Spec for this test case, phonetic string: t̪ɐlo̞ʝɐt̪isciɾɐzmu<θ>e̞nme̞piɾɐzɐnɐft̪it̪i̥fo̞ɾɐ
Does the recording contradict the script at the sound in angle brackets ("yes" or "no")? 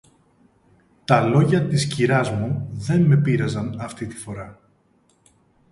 yes